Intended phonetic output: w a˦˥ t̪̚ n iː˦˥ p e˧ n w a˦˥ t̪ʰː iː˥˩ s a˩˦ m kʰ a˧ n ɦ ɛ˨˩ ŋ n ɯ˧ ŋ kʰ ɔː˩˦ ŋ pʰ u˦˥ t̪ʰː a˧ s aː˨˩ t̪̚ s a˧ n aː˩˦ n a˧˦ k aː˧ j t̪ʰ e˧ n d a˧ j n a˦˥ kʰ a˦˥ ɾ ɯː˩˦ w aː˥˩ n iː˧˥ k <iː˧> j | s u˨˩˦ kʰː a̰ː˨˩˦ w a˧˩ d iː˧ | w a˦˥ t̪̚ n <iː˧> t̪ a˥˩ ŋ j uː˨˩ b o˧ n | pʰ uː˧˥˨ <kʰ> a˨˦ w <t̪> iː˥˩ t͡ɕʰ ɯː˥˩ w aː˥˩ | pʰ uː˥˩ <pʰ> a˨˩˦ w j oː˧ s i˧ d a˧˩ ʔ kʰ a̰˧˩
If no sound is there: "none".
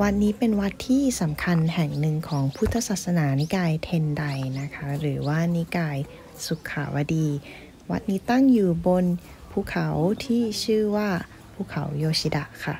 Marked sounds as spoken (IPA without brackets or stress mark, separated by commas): aː˧, iː˦˥, kʰ, t̪ʰ, kʰ